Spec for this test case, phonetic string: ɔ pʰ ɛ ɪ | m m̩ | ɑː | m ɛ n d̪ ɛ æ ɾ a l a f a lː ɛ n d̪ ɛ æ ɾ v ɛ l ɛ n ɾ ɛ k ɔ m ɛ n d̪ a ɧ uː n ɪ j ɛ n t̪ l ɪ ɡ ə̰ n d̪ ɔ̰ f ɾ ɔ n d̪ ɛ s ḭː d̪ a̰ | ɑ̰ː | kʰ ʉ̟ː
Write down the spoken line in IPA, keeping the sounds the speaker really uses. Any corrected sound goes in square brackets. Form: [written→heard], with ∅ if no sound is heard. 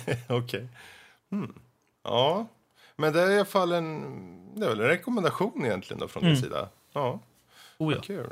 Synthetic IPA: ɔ [pʰ→kʰ] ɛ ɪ | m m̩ | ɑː | m ɛ n d̪ ɛ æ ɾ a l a f a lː ɛ n d̪ ɛ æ ɾ v ɛ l ɛ n ɾ ɛ k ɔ m ɛ n d̪ a ɧ uː n ɪ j ɛ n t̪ l ɪ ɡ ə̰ n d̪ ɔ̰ f ɾ ɔ n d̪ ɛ s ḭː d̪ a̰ | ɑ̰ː | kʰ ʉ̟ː